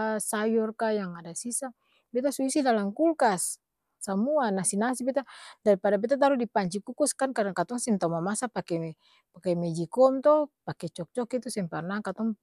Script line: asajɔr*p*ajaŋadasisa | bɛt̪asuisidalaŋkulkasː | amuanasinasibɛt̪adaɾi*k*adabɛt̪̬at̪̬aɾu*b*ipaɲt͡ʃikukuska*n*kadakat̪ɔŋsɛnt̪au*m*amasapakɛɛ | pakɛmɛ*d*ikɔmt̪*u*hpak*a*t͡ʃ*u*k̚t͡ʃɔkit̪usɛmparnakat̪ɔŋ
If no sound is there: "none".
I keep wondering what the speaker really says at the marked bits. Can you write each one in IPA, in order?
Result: k, p, d, n, m, d͡ʒ, ɔ, ɛ, ɔ

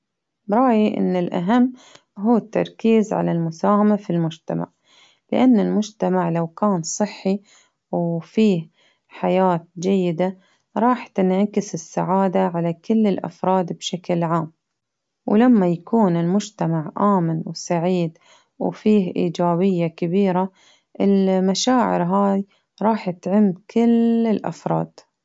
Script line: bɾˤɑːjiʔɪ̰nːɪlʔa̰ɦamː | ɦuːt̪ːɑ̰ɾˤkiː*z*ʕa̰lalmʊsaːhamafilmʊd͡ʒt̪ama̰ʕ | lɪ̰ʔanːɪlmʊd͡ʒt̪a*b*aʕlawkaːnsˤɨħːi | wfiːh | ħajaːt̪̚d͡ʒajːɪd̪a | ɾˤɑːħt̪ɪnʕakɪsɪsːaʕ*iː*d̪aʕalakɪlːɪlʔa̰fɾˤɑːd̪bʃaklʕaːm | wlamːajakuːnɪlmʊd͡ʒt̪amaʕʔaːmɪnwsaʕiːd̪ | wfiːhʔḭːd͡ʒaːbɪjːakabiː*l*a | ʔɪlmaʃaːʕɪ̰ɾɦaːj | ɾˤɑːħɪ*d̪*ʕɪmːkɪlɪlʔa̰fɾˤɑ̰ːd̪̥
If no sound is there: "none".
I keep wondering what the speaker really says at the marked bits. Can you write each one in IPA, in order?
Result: z, m, aː, ɾ, t̪

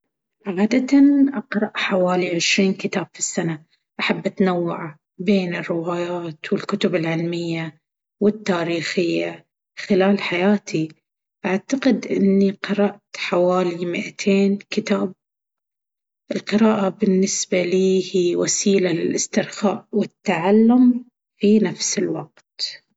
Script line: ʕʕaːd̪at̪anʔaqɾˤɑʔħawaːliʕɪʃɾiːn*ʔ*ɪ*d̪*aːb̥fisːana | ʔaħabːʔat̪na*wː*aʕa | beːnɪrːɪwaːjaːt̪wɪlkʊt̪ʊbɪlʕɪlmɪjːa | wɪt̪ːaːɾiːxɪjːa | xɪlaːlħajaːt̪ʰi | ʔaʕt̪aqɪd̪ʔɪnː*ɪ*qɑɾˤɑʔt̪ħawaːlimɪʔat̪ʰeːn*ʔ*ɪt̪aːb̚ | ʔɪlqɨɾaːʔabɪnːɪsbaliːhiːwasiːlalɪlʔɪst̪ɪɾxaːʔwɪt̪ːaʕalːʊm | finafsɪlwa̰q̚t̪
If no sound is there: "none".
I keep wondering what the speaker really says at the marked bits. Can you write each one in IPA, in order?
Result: k, t̪, wː, i, k

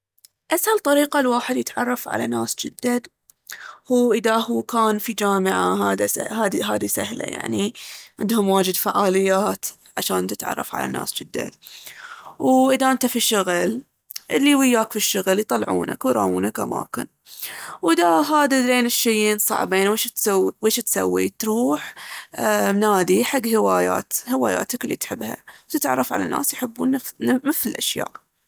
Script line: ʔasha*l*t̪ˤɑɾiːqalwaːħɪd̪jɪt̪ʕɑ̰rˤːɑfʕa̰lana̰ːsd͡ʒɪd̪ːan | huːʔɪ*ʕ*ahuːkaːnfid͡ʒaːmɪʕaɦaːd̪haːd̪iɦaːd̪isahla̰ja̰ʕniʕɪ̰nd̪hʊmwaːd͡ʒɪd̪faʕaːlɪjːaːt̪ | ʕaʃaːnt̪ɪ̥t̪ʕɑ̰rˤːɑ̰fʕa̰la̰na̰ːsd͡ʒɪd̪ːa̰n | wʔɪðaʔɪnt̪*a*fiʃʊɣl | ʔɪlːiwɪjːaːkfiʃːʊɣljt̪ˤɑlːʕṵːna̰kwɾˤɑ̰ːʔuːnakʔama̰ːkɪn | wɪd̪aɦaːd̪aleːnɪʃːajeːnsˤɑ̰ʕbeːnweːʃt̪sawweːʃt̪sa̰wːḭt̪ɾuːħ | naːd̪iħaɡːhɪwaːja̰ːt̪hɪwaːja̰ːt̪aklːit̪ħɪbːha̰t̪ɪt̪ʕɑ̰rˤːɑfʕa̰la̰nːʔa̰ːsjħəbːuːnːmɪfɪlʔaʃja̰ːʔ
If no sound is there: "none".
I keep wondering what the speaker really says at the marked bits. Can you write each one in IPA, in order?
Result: l, ð, a

